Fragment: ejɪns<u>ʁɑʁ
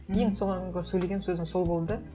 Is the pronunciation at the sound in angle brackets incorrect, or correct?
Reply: incorrect